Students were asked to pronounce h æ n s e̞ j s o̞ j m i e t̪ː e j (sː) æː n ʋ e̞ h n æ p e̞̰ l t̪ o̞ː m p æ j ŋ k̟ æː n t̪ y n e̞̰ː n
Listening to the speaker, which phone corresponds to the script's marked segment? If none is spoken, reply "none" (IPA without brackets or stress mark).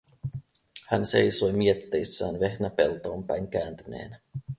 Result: sː